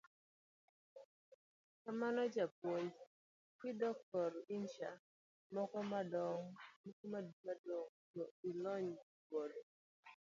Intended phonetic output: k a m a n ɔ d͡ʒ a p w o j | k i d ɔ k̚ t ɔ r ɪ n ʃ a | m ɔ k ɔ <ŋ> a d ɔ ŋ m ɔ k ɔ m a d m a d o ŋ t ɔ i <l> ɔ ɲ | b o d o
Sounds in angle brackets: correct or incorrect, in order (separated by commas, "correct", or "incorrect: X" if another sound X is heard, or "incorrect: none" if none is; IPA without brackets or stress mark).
incorrect: m, correct